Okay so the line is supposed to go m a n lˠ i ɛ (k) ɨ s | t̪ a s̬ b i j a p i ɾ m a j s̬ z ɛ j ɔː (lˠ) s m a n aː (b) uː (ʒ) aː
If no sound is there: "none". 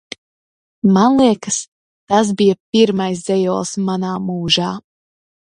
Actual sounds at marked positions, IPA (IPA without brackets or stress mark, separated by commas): k, lˠ, m, ʒ